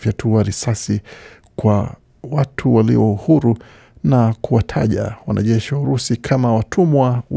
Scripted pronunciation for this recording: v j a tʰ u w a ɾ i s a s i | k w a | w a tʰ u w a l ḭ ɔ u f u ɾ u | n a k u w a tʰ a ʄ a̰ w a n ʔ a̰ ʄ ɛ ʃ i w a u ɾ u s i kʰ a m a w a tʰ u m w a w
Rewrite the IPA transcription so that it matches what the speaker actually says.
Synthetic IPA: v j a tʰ u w a ɾ i s a s i | k w a | w a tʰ u w a l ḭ ɔ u h u ɾ u | n a k u w a tʰ a ʄ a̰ w a n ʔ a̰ ʄ ɛ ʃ i w a u ɾ u s i kʰ a m a w a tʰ u m w a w